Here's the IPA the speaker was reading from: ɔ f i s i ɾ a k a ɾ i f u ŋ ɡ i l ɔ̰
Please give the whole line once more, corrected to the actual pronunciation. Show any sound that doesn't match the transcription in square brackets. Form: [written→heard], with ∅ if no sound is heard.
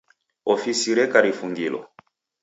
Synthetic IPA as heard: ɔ f i s i ɾ [a→ɛ] k a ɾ i f u ŋ ɡ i l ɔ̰